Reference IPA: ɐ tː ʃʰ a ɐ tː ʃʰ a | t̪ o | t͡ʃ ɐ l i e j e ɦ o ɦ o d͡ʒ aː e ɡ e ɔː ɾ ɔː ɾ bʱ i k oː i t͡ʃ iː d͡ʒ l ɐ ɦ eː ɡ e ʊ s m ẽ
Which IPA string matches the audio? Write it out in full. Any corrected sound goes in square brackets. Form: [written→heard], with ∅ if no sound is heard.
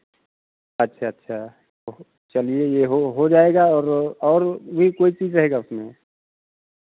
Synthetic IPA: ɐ tː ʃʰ a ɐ tː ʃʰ a | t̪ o | t͡ʃ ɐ l i e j e ɦ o ɦ o d͡ʒ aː e ɡ [e→a] ɔː ɾ ɔː ɾ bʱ i k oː i t͡ʃ iː d͡ʒ [l→ɾ] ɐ ɦ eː ɡ [e→a] ʊ s m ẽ

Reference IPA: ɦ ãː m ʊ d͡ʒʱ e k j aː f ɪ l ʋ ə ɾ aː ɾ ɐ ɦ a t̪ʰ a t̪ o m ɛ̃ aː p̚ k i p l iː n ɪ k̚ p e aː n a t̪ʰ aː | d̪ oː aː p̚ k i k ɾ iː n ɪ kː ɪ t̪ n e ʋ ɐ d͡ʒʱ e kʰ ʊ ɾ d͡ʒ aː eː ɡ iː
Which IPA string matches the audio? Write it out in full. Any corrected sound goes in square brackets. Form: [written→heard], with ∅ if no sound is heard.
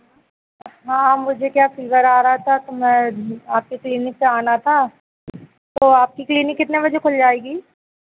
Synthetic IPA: ɦ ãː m ʊ d͡ʒʱ e k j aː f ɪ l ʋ ə ɾ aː ɾ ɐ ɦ a t̪ʰ a t̪ o m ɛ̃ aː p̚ k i [p→k] l iː n ɪ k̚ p e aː n a t̪ʰ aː | [d̪→t̪] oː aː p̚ k i k [ɾ→l] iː n ɪ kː ɪ t̪ n e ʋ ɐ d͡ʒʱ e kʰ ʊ [ɾ→l] d͡ʒ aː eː ɡ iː

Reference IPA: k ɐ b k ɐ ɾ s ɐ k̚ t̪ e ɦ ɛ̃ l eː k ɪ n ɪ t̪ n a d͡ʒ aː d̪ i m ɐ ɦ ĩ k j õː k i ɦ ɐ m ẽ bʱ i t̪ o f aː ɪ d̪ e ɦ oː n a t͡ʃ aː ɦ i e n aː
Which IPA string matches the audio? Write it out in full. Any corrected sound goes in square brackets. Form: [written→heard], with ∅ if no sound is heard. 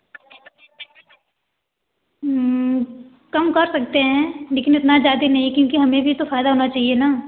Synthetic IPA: k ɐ [b→m] k ɐ ɾ s ɐ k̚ t̪ e ɦ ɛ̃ l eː k ɪ n ɪ t̪ n a d͡ʒ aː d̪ i [m→n] ɐ ɦ ĩ k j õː k i ɦ ɐ m ẽ bʱ i t̪ o f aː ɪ d̪ [e→a] ɦ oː n a t͡ʃ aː ɦ i e n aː

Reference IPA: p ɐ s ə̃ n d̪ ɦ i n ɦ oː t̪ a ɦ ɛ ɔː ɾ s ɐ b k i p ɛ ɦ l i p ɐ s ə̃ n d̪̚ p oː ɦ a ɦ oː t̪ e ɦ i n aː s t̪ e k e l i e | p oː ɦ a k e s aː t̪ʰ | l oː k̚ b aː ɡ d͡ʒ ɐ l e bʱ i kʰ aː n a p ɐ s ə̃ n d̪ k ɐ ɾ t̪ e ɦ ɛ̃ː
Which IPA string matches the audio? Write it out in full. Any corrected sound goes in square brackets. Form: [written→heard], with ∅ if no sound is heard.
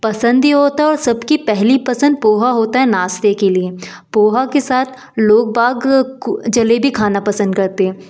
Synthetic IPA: p ɐ s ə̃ n d̪ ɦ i [n→∅] ɦ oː t̪ a ɦ ɛ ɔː ɾ s ɐ b k i p ɛ ɦ l i p ɐ s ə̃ n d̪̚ p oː ɦ a ɦ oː t̪ [e→a] ɦ [i→ɛ] n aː s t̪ e k e l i e | p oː ɦ a k e s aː t̪ʰ | l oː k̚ b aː ɡ d͡ʒ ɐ l e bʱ i kʰ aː n a p ɐ s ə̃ n d̪ k ɐ ɾ t̪ e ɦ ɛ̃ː

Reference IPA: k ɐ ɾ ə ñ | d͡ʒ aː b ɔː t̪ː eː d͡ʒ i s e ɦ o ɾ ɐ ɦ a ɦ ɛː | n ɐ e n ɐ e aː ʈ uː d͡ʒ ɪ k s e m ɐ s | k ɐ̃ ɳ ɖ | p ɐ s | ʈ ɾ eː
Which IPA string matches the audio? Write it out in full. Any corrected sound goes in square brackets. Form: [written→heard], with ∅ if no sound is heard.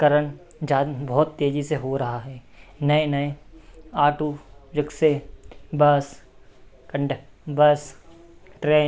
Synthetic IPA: k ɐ ɾ ə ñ | d͡ʒ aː b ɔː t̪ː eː d͡ʒ i s e ɦ o ɾ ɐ ɦ a ɦ ɛː | n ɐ e n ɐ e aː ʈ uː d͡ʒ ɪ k s e [m→b] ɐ s | k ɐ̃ ɳ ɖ | [p→b] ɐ s | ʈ ɾ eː

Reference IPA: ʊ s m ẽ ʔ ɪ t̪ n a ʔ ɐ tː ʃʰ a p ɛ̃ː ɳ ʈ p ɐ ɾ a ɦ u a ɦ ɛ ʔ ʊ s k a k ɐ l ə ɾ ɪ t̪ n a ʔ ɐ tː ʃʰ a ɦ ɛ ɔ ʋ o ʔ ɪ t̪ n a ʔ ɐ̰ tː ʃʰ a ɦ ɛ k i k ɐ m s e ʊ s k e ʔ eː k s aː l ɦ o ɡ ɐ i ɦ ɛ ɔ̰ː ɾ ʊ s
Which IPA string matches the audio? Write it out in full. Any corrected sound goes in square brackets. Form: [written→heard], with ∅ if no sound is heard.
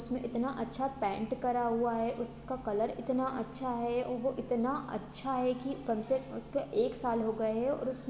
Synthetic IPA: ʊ s m ẽ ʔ ɪ t̪ n a ʔ ɐ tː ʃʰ a p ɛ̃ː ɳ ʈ [p→k] ɐ ɾ a ɦ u a ɦ ɛ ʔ ʊ s k a k ɐ l ə ɾ ɪ t̪ n a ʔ ɐ tː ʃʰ a ɦ ɛ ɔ ʋ o ʔ ɪ t̪ n a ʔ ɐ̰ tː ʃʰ a ɦ ɛ k i k ɐ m s e ʊ s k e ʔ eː k s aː l ɦ o ɡ ɐ [i→e] ɦ ɛ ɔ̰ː ɾ ʊ s

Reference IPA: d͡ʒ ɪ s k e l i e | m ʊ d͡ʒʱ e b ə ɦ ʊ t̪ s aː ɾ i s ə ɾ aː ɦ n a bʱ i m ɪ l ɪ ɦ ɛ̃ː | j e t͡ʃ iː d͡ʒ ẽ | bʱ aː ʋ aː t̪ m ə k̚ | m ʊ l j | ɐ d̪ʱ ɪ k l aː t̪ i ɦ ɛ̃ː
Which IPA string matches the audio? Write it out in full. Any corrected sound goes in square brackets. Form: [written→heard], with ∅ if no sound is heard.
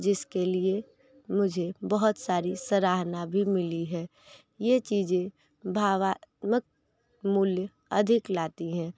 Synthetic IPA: d͡ʒ ɪ s k e l i e | m ʊ d͡ʒʱ e b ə ɦ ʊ t̪ s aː ɾ i s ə ɾ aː ɦ n a bʱ i m ɪ l [ɪ→i] ɦ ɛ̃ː | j e t͡ʃ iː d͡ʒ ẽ | bʱ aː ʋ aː t̪ m ə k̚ | m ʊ l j | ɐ d̪ʱ ɪ k l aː t̪ i ɦ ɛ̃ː

